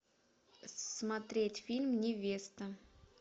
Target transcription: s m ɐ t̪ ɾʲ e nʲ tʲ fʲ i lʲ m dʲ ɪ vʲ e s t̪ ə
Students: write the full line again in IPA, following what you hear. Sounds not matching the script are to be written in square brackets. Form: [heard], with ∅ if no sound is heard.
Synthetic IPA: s m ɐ t̪ ɾʲ e [∅] tʲ fʲ i lʲ m [nʲ] ɪ vʲ e s t̪ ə

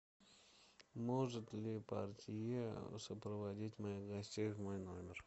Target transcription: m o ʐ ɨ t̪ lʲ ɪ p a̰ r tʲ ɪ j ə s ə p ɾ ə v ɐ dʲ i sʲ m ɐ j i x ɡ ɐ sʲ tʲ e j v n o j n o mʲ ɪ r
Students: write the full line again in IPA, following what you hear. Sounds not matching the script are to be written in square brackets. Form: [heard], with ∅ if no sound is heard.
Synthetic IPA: m o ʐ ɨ t̪ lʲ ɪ p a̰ r tʲ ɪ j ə s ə p ɾ ə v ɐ dʲ i [tʲ] m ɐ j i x ɡ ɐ sʲ tʲ e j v [m] o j n o mʲ ɪ r

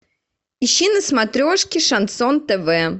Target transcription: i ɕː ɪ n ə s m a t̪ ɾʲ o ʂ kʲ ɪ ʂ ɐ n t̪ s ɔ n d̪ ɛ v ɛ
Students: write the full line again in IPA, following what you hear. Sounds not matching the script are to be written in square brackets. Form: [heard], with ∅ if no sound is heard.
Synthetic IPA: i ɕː [i] n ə s m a t̪ ɾʲ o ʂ kʲ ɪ ʂ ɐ n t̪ s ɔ n [t̪] ɛ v ɛ

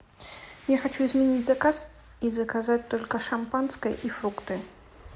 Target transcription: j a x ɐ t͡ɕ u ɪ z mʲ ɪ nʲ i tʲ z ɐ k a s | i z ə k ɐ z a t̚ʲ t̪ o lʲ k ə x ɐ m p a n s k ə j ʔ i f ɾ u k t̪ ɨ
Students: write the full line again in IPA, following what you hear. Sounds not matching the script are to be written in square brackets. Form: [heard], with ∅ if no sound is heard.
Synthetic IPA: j a x ɐ t͡ɕ u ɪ z mʲ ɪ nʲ i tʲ z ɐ k a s | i z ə k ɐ z a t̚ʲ t̪ o lʲ k ə [ʂ] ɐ m p a n s k ə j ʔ i f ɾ u k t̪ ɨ

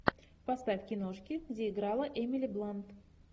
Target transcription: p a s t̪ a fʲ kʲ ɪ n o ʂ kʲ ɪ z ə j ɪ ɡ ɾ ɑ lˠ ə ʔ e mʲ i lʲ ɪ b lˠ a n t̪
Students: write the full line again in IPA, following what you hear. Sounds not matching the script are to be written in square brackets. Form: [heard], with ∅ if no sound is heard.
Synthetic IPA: p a s t̪ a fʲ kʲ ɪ n o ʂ kʲ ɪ z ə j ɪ ɡ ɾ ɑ lˠ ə ʔ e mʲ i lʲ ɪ b lˠ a n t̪

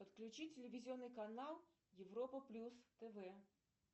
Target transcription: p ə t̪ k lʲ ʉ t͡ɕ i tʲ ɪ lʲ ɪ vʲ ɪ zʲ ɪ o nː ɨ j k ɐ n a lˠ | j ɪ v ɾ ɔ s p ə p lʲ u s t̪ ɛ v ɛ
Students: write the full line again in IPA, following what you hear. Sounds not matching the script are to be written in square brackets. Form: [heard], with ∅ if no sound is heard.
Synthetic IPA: p ə t̪ k lʲ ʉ t͡ɕ i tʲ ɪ lʲ ɪ vʲ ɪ zʲ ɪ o nː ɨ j k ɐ n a lˠ | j ɪ v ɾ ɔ [∅] p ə p lʲ u s t̪ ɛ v ɛ

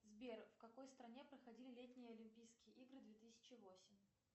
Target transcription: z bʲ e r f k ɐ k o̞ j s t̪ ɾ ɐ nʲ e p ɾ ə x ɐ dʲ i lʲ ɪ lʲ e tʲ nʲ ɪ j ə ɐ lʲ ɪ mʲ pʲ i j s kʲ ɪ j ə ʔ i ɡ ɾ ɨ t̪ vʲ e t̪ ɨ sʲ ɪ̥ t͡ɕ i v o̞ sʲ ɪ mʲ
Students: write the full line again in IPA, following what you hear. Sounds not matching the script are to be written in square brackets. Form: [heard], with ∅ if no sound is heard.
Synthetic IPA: z bʲ e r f k ɐ k o̞ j s t̪ ɾ ɐ nʲ e p ɾ ə x ɐ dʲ i lʲ ɪ lʲ e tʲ nʲ ɪ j ə ɐ lʲ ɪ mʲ pʲ i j s kʲ ɪ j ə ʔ i ɡ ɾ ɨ [d̪] vʲ e t̪ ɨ sʲ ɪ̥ t͡ɕ [ɪ] v o̞ sʲ ɪ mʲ

